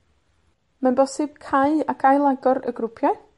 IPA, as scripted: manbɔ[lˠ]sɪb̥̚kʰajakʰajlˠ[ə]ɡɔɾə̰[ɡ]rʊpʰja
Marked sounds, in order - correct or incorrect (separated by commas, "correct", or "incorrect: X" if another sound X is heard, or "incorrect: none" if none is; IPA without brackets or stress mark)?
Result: incorrect: none, incorrect: a, correct